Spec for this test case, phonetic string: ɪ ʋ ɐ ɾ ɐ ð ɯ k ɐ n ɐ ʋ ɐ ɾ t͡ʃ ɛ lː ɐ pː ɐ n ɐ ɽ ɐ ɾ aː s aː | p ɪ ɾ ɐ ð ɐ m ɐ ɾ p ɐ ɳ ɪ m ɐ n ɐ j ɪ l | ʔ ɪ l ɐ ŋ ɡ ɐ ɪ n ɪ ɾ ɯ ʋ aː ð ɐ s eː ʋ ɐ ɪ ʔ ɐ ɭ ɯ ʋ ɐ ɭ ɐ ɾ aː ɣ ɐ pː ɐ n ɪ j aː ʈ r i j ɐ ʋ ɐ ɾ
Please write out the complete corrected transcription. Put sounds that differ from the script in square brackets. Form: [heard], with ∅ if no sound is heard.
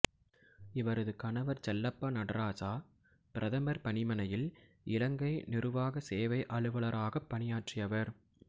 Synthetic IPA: ɪ ʋ ɐ ɾ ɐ ð ɯ k ɐ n ɐ ʋ ɐ ɾ t͡ʃ ɛ lː ɐ pː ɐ n ɐ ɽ ɐ ɾ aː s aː | p ɪ ɾ ɐ ð ɐ m ɐ ɾ p ɐ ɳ ɪ m ɐ n ɐ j ɪ l | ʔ ɪ l ɐ ŋ ɡ ɐ ɪ n ɪ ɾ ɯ ʋ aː [ɣ] ɐ s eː ʋ ɐ ɪ ʔ ɐ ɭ ɯ ʋ ɐ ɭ ɐ ɾ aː ɣ ɐ pː ɐ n ɪ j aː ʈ r [ɪ] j ɐ ʋ ɐ ɾ